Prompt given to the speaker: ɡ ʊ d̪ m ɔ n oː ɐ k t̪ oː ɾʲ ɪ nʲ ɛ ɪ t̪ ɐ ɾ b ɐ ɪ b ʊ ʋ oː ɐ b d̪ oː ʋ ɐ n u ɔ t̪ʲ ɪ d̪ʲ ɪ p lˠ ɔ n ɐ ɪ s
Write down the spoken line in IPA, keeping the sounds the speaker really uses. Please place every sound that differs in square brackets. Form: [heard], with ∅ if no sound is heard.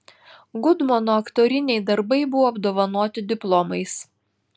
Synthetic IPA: ɡ ʊ d̪ m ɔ n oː ɐ k t̪ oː ɾʲ ɪ nʲ ɛ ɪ [d̪] ɐ ɾ b ɐ ɪ b ʊ ʋ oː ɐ b d̪ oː ʋ ɐ n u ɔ t̪ʲ ɪ d̪ʲ ɪ p lˠ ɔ [m] ɐ ɪ s